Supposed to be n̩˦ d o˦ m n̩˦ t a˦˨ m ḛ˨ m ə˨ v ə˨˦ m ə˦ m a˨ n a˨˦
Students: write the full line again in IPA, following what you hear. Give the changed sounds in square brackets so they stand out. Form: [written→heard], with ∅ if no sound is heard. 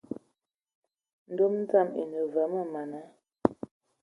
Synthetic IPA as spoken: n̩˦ d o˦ m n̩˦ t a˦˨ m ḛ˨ [m→n] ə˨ v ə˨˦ m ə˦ m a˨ n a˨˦

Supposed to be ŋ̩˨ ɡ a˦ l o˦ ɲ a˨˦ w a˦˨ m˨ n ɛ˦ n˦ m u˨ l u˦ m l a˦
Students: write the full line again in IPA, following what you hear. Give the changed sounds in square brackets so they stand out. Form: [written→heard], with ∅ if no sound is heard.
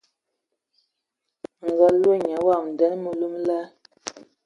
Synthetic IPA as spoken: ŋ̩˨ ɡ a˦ l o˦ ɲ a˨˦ w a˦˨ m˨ [n→d] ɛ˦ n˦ m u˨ l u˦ m l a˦

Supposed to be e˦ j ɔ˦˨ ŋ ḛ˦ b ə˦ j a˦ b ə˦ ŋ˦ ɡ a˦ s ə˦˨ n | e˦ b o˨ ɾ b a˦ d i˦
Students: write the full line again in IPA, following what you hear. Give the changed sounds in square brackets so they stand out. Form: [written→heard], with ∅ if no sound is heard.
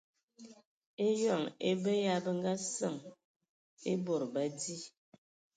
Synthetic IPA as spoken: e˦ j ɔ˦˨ ŋ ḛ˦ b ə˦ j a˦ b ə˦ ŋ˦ ɡ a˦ s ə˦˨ [n→ŋ] | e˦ b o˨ ɾ b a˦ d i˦

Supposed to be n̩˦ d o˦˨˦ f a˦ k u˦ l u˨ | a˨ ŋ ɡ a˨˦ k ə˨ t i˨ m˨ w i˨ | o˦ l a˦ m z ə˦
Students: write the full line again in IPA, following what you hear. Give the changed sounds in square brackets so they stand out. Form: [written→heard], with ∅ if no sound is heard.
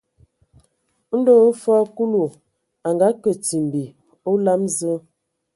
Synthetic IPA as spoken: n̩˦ d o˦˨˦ f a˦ k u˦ l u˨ | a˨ ŋ ɡ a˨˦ k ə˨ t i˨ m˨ [w→b] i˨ | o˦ l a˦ m z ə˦

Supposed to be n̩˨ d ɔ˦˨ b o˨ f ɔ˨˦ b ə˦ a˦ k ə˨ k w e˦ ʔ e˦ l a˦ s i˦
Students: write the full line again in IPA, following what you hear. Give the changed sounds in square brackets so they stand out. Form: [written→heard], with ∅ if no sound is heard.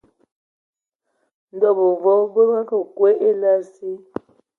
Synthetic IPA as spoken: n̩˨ d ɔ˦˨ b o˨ [f→v] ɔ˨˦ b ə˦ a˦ k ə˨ k w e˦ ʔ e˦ l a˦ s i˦

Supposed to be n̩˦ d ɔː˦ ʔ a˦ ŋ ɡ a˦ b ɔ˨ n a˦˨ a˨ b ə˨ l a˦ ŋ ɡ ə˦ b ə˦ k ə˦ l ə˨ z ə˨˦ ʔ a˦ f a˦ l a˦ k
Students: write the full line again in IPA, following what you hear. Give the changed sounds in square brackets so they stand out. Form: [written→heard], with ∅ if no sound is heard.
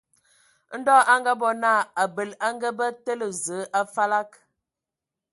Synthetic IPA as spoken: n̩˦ d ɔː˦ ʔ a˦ ŋ ɡ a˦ b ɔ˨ n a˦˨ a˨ b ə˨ l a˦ ŋ ɡ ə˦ b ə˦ [k→t] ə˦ l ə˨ z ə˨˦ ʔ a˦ f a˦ l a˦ k

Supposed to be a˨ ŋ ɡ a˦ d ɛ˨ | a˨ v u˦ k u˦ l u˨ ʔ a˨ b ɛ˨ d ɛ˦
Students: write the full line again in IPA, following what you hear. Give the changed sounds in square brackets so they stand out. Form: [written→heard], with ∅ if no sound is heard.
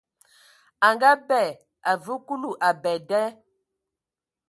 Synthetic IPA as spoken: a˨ ŋ ɡ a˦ [d→b] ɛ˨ | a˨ v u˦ k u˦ l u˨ ʔ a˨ b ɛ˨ d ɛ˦

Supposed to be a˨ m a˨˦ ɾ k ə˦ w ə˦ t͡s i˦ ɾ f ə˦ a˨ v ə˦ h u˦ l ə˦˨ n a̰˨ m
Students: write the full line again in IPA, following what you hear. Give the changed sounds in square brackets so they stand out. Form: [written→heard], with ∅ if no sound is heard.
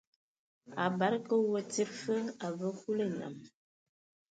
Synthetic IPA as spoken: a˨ [m→b] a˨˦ ɾ k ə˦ w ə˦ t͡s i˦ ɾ f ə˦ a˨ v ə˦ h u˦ l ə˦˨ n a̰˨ m

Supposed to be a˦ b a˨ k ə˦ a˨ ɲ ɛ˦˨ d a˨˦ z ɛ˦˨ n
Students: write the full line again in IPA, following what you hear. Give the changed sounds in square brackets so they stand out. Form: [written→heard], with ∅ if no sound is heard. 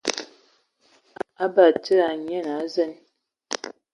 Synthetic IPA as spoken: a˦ b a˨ [k→t] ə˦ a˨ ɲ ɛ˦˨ [d→n] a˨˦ z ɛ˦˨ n

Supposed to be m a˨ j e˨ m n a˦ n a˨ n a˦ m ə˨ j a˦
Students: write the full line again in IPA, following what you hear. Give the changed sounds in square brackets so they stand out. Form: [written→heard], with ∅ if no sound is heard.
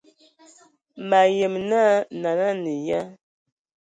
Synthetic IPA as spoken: m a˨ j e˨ m n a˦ n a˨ n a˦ [m→n] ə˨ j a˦

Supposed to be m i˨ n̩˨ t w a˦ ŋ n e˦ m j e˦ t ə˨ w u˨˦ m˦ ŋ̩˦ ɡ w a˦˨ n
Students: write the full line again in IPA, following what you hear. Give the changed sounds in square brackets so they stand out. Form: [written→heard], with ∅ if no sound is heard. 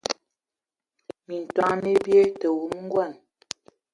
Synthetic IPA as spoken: m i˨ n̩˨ t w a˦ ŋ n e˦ [m→b] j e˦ t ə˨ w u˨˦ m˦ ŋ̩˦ ɡ w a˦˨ n

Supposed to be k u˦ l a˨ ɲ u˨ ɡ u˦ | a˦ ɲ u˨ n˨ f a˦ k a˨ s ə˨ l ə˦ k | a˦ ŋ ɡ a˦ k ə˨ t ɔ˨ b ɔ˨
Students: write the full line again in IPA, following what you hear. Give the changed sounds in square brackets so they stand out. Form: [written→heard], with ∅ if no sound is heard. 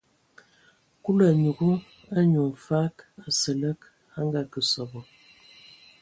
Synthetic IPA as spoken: k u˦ l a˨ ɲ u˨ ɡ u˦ | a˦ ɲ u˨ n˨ f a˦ k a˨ s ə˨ l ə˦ k | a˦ ŋ ɡ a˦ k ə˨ [t→s] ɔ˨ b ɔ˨

